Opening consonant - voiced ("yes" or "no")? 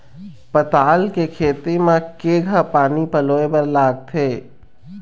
no